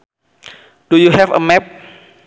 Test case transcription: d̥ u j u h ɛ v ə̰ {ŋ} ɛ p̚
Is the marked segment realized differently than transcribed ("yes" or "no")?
yes